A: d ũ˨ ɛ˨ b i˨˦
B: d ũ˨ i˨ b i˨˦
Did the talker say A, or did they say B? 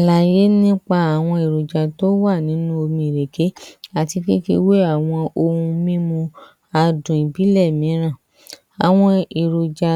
B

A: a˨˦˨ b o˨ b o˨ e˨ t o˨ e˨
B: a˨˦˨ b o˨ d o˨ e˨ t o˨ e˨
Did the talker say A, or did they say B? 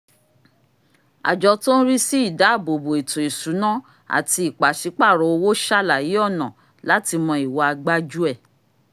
A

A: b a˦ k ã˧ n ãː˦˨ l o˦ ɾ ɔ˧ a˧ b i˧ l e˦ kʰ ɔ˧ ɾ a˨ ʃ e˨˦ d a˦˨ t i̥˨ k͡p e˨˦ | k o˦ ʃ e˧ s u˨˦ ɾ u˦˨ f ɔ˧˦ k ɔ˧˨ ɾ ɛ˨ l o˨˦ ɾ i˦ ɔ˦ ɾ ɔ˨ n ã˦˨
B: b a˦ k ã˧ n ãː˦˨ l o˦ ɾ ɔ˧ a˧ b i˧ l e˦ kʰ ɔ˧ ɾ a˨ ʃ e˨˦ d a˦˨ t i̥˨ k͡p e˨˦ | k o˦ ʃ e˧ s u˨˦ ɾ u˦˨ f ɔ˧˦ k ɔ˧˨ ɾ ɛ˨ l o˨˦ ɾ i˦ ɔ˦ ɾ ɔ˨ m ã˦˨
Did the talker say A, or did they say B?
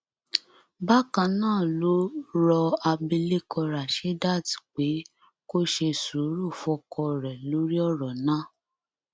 A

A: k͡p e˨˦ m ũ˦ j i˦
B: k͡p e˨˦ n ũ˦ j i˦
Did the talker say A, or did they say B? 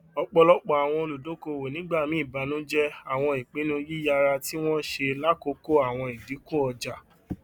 B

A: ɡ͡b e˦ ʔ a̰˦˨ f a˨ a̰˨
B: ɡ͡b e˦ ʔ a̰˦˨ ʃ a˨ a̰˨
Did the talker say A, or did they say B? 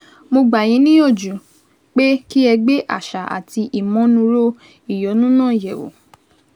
B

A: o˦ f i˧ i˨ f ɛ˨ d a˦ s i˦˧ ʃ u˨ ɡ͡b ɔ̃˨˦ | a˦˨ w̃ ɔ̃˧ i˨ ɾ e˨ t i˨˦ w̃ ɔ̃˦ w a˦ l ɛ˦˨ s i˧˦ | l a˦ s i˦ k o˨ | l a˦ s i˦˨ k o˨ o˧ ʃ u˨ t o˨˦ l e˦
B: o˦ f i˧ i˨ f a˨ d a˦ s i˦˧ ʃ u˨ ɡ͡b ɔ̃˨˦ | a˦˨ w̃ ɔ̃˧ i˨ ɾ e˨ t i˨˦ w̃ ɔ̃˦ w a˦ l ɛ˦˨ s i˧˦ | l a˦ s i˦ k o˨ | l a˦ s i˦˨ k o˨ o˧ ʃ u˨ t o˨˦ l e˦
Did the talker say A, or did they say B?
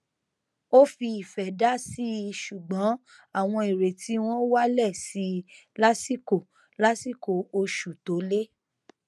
A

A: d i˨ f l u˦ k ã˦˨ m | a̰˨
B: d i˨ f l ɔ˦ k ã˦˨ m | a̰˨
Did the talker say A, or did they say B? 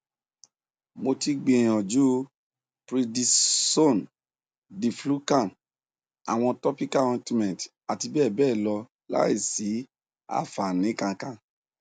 A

